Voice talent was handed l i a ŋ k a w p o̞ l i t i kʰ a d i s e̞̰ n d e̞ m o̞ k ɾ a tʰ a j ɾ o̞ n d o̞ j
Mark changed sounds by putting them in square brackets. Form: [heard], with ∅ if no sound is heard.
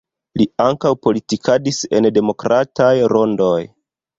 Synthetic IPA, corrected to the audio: l i a ŋ k a w p o̞ l i t i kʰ a d i s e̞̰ n d e̞ m o̞ k ɾ a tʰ a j ɾ o̞ n d o̞ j